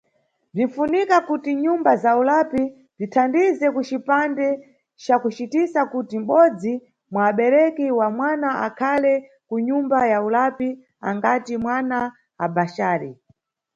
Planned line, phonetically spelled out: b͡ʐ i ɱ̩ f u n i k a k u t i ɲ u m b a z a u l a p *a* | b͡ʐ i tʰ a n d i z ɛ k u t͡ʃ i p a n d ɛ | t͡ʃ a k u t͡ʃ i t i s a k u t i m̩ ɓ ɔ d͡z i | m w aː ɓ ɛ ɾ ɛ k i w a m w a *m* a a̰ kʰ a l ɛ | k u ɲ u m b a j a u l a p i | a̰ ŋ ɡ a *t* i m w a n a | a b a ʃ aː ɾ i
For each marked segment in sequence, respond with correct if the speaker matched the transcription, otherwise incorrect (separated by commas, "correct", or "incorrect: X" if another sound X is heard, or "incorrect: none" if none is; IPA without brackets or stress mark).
incorrect: i, incorrect: n, correct